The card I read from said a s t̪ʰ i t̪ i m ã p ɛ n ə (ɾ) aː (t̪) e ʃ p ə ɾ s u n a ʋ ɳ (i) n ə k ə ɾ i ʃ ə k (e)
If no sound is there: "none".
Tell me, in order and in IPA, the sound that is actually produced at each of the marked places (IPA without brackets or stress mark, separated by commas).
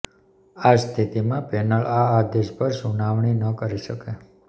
ɭ, d̪, i, e